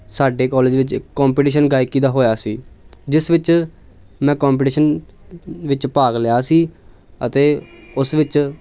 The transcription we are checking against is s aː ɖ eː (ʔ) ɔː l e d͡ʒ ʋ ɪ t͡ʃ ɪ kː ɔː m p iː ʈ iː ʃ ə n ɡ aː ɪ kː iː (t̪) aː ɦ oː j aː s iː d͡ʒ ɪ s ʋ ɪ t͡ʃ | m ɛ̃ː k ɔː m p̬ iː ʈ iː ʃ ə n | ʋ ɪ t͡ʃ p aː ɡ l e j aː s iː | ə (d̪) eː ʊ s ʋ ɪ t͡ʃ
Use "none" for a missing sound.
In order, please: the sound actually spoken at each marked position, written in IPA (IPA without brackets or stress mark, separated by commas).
k, d̪, t̪